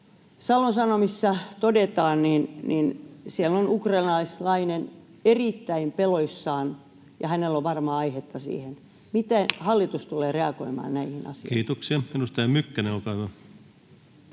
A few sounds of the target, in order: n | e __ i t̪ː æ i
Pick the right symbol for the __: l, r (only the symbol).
r